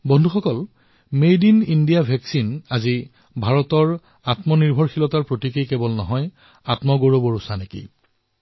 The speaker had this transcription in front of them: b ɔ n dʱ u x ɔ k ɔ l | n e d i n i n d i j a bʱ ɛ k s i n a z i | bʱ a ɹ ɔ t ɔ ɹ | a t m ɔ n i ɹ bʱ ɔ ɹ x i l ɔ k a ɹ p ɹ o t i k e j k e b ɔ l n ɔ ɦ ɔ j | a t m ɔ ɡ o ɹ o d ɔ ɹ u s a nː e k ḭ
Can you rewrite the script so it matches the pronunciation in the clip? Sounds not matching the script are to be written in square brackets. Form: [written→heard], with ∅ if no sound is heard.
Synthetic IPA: b ɔ n dʱ u x ɔ k ɔ l | [n→m] e d i n i n d i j a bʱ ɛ k s i n a z i | bʱ a ɹ ɔ t ɔ ɹ | a t m ɔ n i ɹ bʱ ɔ ɹ x i l ɔ [k→t] a ɹ p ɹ o t i k e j k e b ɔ l n ɔ ɦ ɔ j | a t m ɔ ɡ o ɹ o [d→b] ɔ ɹ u s a [nː→n] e k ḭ